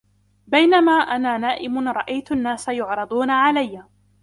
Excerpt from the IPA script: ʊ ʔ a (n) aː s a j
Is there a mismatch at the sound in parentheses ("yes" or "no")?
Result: yes